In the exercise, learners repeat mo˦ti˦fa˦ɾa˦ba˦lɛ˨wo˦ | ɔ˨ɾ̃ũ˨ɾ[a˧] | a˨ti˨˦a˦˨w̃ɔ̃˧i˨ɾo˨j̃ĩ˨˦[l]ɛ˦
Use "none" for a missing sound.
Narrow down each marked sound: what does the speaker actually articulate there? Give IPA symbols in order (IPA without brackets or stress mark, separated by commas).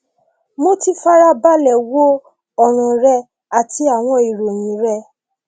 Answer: ɛ˧, ɾ